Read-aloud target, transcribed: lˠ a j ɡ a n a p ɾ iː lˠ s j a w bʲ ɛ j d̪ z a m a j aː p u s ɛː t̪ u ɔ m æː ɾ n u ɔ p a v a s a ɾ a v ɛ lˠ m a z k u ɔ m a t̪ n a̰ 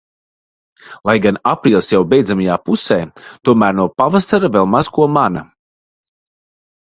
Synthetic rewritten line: lˠ a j ɡ a n a p ɾ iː lˠ s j a w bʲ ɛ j d̪ z a m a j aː p u s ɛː t̪ u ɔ m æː ɾ n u ɔ p a v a s a ɾ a v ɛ lˠ m a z k u ɔ m a n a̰